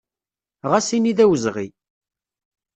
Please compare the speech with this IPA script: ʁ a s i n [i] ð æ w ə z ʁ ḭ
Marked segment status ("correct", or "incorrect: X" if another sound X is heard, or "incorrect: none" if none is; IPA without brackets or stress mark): correct